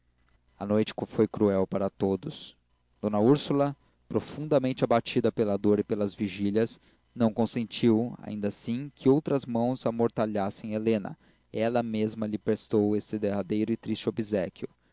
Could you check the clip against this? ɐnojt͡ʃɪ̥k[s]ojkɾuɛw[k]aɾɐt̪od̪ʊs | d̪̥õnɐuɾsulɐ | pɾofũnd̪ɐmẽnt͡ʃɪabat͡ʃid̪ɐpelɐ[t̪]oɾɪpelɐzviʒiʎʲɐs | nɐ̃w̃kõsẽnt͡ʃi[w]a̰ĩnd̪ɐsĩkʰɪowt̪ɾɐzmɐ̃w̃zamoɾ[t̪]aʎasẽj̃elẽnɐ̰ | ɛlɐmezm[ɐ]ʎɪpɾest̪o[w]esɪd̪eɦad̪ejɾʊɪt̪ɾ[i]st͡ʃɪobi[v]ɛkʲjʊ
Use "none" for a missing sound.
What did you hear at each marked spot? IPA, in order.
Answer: f, p, d̪, w, t̪, ɐ, w, i, z

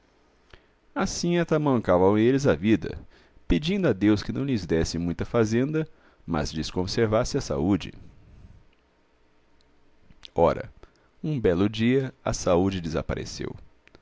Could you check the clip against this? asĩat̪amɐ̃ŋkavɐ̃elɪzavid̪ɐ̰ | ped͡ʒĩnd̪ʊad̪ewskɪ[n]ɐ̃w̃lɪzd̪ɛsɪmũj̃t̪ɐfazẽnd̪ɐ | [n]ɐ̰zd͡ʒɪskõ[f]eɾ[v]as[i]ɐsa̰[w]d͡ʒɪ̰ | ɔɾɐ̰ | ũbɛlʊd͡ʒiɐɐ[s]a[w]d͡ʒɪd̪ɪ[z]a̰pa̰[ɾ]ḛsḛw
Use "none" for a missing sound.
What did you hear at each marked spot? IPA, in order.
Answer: n, m, s, v, ɪ, u, s, u, z, ɾ

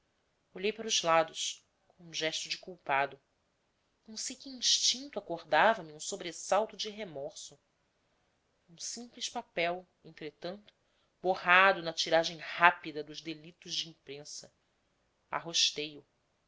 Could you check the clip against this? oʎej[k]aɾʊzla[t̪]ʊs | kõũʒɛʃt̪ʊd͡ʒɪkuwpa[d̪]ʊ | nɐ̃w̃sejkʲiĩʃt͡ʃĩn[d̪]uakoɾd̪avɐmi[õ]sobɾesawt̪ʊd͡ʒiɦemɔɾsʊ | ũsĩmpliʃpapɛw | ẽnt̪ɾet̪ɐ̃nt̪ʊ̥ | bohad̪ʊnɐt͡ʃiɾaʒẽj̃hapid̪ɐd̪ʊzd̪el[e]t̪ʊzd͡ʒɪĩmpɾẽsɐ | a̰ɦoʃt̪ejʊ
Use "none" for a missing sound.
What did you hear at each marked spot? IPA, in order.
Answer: p, d̪, d̪, t̪, ũ, i

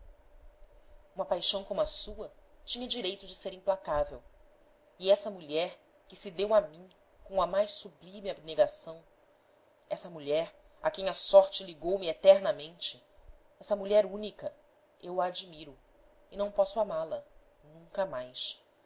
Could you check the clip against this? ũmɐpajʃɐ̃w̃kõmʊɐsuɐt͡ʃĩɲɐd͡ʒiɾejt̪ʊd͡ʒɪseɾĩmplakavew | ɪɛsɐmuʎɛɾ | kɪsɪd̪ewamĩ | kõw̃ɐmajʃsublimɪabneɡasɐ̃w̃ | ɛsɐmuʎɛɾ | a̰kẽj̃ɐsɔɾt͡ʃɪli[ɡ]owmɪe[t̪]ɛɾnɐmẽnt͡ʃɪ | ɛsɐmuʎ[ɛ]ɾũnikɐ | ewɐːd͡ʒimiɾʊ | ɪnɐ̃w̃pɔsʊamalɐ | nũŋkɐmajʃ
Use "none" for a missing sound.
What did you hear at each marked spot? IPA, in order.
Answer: ɡ, t̪, ɛ

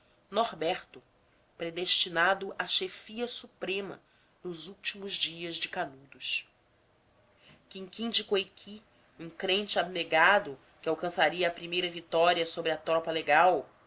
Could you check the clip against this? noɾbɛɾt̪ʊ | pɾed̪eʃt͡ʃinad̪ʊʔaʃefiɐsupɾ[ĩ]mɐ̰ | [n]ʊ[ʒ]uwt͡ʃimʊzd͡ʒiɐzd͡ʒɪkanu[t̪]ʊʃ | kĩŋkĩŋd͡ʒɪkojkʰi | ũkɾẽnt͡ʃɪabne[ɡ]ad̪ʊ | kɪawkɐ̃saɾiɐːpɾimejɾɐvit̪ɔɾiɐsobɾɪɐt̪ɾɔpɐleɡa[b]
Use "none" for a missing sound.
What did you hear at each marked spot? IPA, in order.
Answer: ẽ, n, z, d̪, ɡ, w

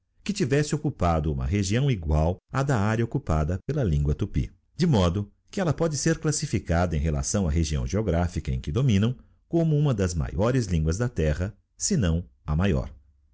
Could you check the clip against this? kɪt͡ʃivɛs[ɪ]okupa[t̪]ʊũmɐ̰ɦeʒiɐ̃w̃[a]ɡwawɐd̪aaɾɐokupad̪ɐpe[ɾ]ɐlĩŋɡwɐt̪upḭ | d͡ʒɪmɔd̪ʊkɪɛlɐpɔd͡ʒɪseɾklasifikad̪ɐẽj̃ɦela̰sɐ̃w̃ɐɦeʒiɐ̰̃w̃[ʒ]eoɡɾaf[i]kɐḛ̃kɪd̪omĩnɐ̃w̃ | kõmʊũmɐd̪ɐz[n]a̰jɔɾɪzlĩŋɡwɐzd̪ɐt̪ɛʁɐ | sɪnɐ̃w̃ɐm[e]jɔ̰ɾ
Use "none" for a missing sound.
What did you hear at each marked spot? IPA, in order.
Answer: ɪ, d̪, i, l, ʒ, i, m, a

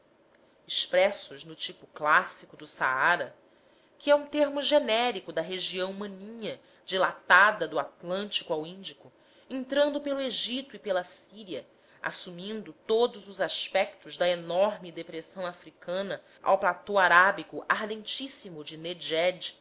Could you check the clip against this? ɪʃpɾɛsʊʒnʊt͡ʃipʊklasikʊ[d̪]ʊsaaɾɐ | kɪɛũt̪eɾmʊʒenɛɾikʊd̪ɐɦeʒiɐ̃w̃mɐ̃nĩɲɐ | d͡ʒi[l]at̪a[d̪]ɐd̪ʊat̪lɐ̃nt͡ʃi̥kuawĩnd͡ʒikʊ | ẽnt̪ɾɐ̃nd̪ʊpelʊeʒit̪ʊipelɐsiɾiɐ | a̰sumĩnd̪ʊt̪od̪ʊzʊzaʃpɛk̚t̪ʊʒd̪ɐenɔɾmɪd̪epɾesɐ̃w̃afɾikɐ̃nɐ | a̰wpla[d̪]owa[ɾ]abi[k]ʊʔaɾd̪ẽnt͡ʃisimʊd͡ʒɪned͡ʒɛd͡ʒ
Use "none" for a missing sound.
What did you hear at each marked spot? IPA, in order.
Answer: d̪, l, d̪, t̪, ɾ, k

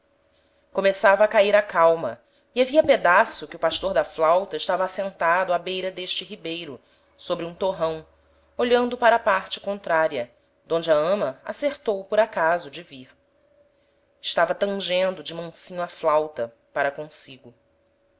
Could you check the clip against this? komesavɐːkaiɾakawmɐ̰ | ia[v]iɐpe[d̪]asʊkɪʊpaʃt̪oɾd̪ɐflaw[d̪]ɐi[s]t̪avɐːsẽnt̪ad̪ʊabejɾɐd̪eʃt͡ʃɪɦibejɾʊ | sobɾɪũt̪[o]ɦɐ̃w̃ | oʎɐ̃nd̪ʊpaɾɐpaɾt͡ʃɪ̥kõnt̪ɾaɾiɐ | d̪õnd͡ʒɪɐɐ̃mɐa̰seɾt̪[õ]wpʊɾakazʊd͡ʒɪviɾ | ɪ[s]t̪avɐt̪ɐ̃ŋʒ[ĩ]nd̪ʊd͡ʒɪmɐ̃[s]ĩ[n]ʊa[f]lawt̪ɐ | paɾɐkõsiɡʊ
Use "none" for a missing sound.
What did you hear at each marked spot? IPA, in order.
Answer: v, d̪, t̪, ʃ, o, o, ʃ, ẽ, s, ɲ, f

